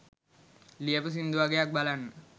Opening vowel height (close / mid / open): close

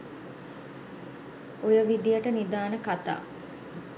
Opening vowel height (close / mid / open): mid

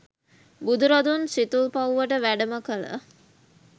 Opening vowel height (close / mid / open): close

